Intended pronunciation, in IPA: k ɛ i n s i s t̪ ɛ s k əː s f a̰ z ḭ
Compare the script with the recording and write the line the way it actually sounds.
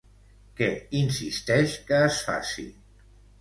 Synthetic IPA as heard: k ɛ i n s i s t̪ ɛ ʃ k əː s f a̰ s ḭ